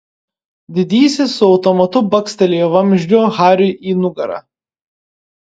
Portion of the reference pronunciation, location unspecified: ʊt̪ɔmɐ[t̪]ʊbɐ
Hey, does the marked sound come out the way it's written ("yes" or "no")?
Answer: yes